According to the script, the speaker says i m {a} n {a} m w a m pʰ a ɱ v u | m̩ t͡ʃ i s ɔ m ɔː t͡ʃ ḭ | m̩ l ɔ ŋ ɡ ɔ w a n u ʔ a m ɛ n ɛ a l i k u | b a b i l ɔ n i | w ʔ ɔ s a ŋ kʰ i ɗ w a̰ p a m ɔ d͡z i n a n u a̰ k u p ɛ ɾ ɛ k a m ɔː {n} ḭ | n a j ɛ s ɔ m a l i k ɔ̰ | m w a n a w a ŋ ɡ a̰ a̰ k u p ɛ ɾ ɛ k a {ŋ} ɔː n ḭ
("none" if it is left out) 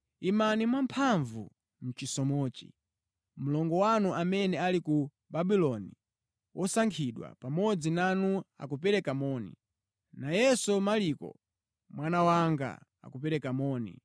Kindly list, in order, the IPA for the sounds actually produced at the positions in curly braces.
a, i, n, m

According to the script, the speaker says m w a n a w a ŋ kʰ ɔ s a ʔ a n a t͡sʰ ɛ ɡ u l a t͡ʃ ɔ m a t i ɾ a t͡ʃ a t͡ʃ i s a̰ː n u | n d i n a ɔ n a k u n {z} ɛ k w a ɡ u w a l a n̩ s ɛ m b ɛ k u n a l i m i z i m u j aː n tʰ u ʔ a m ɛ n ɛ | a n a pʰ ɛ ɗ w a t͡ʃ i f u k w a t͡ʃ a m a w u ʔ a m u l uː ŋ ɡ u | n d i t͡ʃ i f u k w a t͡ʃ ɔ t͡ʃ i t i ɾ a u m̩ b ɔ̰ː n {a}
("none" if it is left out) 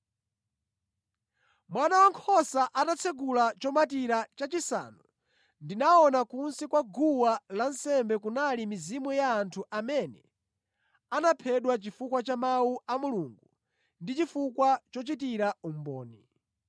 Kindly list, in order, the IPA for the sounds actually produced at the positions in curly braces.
s, i

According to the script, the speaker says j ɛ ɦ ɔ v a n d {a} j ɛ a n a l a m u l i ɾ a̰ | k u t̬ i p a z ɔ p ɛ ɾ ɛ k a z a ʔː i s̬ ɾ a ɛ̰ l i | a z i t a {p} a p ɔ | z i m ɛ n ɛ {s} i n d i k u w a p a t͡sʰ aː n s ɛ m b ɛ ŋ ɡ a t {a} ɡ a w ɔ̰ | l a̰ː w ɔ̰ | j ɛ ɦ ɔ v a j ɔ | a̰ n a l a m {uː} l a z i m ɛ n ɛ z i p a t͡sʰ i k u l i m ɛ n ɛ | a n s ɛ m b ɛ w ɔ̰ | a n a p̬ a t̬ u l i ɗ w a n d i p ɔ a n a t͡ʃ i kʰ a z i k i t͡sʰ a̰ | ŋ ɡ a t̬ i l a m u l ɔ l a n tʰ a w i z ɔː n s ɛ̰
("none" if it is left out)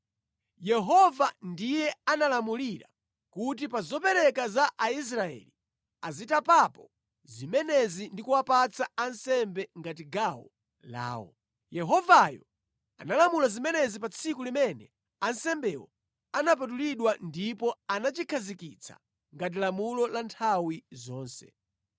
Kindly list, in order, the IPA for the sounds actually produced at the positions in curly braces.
i, p, z, i, u

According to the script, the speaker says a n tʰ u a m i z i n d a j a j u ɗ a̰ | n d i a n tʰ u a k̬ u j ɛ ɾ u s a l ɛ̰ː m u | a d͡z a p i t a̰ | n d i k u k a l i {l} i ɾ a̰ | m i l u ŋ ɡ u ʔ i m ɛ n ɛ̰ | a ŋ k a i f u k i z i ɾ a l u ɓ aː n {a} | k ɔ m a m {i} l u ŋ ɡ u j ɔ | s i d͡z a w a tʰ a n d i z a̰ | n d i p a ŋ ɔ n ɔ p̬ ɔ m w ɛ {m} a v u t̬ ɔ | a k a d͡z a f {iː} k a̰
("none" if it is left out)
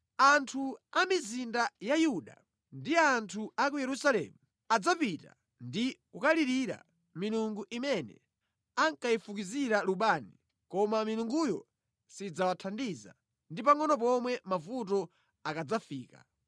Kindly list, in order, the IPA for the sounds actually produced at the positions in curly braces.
ɾ, i, i, m, iː

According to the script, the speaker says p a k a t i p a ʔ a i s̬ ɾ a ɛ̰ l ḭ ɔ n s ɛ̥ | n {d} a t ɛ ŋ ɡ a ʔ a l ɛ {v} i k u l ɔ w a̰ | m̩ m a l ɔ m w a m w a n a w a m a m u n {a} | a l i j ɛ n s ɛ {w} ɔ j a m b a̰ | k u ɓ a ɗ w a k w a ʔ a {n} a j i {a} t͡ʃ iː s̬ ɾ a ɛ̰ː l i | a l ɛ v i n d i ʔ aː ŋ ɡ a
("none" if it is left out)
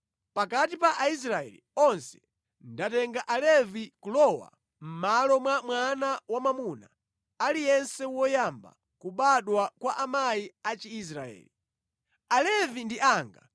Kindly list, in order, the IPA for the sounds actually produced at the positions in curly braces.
d, v, a, w, m, a

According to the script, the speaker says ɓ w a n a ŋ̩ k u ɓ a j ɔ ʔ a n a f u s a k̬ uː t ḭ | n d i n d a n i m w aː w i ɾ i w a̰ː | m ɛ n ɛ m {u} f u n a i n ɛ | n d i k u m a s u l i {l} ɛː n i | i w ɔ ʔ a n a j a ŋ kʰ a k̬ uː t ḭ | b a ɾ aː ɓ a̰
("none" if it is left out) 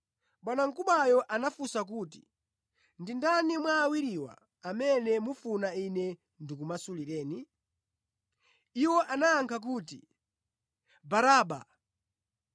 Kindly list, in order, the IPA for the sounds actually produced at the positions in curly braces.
u, ɾ

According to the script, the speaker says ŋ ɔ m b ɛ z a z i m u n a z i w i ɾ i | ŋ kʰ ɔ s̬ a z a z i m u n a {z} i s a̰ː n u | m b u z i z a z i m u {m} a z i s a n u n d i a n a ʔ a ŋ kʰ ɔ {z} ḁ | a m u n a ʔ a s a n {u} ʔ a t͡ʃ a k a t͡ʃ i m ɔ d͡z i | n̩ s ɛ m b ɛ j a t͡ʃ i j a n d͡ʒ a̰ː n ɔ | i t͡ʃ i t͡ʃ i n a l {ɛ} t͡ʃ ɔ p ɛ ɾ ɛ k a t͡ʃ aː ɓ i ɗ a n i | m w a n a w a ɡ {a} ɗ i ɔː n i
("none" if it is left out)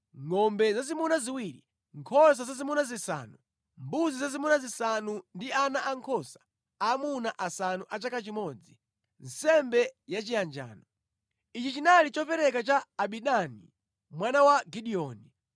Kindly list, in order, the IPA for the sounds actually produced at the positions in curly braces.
z, n, s, u, i, i

